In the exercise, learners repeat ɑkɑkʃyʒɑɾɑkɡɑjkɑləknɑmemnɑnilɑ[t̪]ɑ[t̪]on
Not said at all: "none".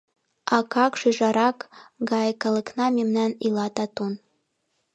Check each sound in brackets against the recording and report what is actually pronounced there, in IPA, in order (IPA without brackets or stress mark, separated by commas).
t̪, t̪